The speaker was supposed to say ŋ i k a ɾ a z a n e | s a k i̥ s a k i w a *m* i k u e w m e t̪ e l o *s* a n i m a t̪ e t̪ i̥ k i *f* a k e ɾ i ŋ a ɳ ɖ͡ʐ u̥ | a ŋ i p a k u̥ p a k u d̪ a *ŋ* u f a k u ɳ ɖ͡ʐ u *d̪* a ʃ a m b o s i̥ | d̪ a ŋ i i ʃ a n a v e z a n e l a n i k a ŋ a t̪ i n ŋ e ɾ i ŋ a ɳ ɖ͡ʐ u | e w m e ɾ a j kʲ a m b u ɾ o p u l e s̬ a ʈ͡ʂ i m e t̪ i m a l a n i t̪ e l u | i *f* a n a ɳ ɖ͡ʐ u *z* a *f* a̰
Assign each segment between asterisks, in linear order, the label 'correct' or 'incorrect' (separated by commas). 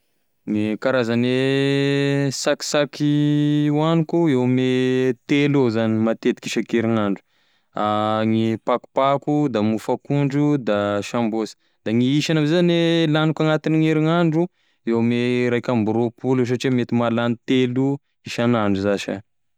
incorrect, incorrect, incorrect, incorrect, correct, incorrect, correct, incorrect